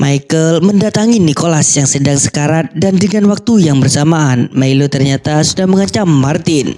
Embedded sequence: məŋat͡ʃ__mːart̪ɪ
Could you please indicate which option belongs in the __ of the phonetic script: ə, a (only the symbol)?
a